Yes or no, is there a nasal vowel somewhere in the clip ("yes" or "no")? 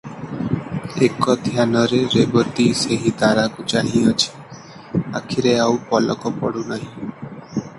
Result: yes